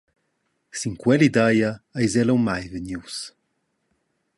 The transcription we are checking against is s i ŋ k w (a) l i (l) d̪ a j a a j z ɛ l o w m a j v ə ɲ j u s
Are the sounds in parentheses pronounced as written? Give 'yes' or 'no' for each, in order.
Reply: no, no

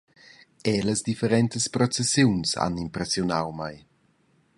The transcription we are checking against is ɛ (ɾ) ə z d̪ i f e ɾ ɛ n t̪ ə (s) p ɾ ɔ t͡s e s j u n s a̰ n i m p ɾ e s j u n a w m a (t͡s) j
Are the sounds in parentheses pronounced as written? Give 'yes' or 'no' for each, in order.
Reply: no, yes, no

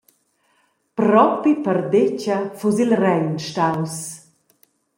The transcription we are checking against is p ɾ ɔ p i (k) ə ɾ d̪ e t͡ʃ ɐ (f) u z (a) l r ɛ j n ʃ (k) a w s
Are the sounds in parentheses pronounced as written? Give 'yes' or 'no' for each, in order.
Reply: no, yes, no, no

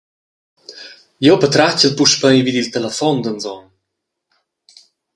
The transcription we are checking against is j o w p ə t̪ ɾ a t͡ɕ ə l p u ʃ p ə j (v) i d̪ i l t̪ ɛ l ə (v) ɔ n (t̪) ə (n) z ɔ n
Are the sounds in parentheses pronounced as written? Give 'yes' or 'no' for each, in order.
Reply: yes, no, no, yes

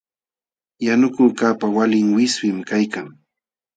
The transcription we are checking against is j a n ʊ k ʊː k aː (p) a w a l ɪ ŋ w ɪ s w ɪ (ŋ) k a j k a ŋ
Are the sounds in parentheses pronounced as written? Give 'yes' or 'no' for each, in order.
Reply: yes, no

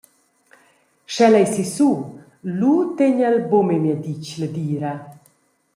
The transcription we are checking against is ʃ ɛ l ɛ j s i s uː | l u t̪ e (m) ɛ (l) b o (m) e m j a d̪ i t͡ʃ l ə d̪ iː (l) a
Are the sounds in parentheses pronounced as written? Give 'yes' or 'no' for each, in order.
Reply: no, yes, yes, no

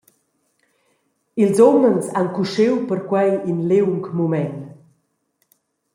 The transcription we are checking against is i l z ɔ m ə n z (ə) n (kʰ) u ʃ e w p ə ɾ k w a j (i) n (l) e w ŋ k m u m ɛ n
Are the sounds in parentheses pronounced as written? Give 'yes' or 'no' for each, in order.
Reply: no, no, yes, yes

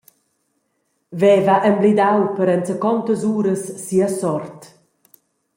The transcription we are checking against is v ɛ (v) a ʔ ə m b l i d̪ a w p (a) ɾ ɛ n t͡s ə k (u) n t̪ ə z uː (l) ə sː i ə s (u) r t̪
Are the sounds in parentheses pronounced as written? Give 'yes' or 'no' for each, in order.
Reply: yes, no, no, no, no

